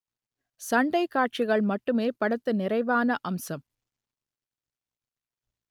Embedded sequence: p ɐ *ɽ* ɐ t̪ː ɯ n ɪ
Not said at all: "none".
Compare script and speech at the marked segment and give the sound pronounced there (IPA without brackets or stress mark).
ɽ